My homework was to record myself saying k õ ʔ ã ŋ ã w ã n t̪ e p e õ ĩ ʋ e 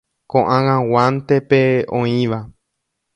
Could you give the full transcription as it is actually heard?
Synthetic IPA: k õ ʔ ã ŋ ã w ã n t̪ e p e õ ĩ ʋ a